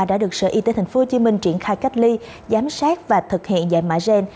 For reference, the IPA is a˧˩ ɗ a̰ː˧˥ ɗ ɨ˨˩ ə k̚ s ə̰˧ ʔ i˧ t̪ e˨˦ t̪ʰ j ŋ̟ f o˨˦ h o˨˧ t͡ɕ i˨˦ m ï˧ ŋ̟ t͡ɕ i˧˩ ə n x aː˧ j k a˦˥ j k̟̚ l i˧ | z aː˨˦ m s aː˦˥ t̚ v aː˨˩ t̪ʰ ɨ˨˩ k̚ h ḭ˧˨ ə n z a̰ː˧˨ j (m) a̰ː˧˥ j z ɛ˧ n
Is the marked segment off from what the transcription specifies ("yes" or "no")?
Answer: no